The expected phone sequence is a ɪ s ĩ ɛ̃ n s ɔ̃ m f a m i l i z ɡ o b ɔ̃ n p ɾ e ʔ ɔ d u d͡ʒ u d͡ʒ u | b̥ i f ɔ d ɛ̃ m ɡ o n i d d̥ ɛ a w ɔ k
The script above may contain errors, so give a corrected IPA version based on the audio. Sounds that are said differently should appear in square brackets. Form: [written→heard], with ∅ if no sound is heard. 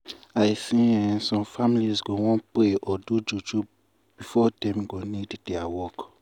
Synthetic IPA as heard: a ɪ s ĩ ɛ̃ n s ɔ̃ m f a m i l i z ɡ o [b→w] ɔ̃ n p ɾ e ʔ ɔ d u d͡ʒ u d͡ʒ u | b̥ i f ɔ d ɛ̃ m ɡ o n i d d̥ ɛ a w ɔ k

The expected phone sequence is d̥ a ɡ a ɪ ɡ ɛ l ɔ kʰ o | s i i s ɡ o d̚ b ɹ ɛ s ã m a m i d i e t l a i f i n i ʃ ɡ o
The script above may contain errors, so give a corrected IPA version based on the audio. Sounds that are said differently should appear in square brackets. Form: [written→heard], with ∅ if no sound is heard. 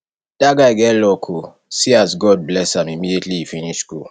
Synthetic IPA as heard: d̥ a ɡ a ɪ ɡ ɛ l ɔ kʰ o | s i [i→a] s ɡ [o→ɔ] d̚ b [ɹ→l] ɛ s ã m [a→i] m i d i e t l [a→i] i f i n i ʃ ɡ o

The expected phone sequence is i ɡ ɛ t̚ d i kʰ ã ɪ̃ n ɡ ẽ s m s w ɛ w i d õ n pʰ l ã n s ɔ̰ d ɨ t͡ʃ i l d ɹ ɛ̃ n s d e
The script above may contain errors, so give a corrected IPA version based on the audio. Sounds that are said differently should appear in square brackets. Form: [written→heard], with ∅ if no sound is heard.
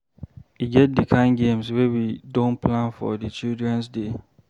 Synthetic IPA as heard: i ɡ ɛ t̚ d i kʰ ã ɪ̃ n ɡ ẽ [s→∅] m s w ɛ w i d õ n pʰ l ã n [s→f] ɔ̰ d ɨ t͡ʃ i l d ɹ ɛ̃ n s d e

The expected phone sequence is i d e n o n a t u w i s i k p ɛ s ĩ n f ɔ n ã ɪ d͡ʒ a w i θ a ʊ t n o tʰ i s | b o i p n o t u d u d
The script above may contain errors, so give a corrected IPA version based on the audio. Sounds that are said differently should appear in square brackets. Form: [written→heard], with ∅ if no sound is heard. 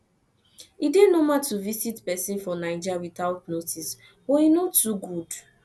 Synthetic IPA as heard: i d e n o [n→m] a t u [w→v] i s i [k→t] p ɛ s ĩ n f ɔ n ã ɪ d͡ʒ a w i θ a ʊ t n o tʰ i s | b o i [p→∅] n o t u [d→ɡ] u d

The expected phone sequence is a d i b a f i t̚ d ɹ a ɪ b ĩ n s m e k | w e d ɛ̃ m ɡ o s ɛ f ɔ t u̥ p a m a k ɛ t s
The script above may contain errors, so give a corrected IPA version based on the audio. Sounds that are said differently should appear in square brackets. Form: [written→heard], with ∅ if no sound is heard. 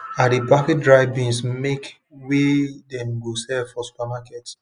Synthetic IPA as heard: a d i b a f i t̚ d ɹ a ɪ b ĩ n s m e k | w e d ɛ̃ m ɡ o s ɛ f ɔ [t→s] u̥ p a m a k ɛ t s

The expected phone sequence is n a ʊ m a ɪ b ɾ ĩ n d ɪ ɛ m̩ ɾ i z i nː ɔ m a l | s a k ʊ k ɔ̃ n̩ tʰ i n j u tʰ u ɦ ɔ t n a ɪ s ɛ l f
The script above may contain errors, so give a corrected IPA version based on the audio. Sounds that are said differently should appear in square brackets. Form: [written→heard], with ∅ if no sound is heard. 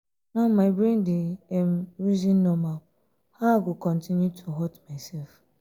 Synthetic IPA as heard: n a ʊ m a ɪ b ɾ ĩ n d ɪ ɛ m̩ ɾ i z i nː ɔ m a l | [s→h] a [k→ɡ] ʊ k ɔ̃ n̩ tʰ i n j u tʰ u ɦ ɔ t [n→m] a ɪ s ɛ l f

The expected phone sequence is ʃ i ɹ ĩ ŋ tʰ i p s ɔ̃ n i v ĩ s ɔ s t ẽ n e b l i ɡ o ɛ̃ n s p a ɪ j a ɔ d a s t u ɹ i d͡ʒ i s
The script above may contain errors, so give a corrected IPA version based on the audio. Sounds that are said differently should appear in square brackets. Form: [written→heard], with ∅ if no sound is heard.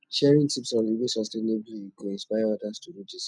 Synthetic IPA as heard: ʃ [i→ɛ] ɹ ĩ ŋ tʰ i p s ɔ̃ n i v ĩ s ɔ s t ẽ n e b l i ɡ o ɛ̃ n s p a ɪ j a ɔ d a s t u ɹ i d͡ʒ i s

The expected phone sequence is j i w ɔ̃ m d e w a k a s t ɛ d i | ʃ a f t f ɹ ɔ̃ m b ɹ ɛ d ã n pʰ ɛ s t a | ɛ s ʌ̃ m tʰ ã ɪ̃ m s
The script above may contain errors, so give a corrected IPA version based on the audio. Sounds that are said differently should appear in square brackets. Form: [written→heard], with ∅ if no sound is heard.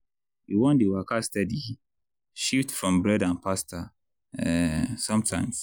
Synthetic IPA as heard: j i w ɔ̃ [m→n] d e w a k a s t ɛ d i | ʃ [a→i] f t f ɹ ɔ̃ m b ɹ ɛ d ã n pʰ [ɛ→a] s t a | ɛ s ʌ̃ m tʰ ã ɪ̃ m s

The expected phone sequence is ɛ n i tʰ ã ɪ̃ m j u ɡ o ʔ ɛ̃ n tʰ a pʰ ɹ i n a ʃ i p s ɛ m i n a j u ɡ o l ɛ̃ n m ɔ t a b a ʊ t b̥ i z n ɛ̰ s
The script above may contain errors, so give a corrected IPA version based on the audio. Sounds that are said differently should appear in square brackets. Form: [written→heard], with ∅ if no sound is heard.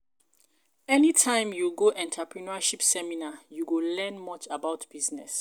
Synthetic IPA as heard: ɛ n i tʰ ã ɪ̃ m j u ɡ o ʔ ɛ̃ n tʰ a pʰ ɹ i n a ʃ i p s ɛ m i n a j u ɡ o l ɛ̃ n m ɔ [t→t͡ʃ] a b a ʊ t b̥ i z n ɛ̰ s

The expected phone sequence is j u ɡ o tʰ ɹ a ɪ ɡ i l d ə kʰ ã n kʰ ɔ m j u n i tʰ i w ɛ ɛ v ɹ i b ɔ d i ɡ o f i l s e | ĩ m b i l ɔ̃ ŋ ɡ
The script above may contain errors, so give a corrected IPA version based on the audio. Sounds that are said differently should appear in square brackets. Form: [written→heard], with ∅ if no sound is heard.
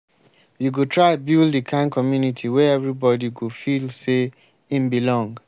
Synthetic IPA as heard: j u ɡ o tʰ ɹ a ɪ [ɡ→b] i l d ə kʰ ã n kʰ ɔ m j u n i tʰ i w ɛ ɛ v ɹ i b ɔ d i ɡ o f i l s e | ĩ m b i l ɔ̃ ŋ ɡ

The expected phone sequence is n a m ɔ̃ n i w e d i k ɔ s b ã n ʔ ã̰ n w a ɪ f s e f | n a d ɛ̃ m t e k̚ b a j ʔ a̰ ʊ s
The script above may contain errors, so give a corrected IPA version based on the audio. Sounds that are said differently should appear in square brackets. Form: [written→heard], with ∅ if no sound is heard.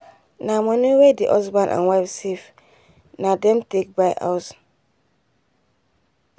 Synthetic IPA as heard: n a m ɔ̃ n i w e d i [k→ʔ] ɔ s b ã n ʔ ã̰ n w a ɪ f s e f | n a d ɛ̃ m t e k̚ b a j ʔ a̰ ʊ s

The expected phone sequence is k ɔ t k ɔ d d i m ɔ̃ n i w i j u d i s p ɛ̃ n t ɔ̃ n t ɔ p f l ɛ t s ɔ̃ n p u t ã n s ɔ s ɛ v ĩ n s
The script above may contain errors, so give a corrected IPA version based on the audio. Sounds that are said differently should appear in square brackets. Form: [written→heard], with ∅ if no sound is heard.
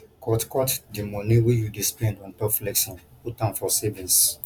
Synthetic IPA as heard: k ɔ t k ɔ [d→t] d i m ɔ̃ n i w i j u d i s p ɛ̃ n [t→d] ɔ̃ n t ɔ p f l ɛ [t→k] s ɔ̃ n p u t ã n [s→f] ɔ s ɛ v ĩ n s

